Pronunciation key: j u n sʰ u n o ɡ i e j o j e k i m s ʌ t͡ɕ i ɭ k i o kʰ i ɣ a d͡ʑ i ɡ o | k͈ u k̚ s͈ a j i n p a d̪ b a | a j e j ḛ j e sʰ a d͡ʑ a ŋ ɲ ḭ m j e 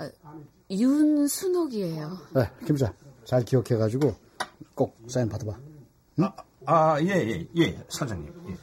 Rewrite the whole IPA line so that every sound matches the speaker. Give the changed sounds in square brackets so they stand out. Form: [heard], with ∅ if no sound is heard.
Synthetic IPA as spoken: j u n sʰ u n o ɡ i e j o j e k i m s [a] t͡ɕ [a] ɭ k i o kʰ [e] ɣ a d͡ʑ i ɡ o | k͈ [o] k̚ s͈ a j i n p a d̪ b a | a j e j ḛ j e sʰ a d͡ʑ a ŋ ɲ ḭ m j e